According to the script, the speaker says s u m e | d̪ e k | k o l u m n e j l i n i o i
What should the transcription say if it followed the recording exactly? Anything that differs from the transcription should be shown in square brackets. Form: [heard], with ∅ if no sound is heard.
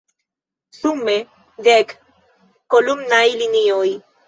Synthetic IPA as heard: s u m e | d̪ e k | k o l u m n [a] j l i n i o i